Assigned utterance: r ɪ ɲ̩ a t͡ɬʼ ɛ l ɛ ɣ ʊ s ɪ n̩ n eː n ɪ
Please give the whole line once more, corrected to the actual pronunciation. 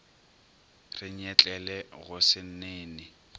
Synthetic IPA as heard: r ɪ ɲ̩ ɛ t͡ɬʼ ɛ l ɛ ɣ ʊ s ɪ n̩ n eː n ɪ